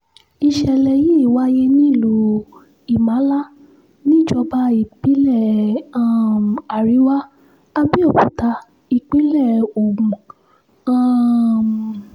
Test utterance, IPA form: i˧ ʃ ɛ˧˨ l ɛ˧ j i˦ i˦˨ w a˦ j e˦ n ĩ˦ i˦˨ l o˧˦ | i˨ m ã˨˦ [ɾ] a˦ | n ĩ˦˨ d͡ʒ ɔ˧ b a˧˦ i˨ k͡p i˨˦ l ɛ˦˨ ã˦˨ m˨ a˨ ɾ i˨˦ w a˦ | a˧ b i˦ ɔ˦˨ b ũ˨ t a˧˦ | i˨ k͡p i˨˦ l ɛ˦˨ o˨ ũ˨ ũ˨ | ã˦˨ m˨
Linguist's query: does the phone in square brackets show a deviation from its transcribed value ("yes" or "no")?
yes